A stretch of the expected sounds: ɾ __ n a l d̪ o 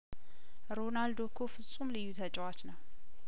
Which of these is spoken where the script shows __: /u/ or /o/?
o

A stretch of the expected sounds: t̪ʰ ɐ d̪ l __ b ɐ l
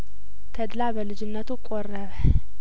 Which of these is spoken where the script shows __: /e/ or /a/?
a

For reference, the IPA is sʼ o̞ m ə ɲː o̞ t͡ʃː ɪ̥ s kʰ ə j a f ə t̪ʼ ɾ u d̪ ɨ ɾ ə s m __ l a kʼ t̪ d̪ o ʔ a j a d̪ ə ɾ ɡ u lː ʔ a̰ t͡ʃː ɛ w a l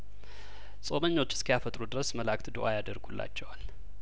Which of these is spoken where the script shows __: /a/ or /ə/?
ə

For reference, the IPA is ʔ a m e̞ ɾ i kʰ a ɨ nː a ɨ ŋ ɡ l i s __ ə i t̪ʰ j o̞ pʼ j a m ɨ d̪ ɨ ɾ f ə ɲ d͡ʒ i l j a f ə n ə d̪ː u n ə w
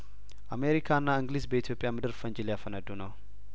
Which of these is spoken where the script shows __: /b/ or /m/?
b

